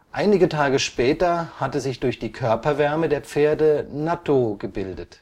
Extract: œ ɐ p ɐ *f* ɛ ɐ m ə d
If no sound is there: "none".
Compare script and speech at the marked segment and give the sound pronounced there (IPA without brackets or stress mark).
v